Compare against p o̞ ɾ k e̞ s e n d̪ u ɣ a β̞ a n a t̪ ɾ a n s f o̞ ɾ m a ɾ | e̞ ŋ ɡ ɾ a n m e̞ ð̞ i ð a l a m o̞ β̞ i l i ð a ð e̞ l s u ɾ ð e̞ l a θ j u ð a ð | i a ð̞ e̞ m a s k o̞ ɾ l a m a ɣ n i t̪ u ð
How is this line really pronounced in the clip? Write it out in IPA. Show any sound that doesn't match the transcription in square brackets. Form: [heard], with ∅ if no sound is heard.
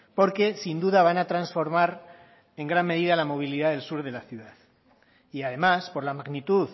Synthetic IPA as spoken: p o̞ ɾ k e̞ s [i] n d̪ u [ð] a β̞ a n a t̪ ɾ a n s f o̞ ɾ m a ɾ | e̞ ŋ ɡ ɾ a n m e̞ ð̞ i ð a l a m o̞ β̞ i l i ð a ð e̞ l s u ɾ ð e̞ l a θ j u ð a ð | i a ð̞ e̞ m a s [p] o̞ ɾ l a m a ɣ n i t̪ u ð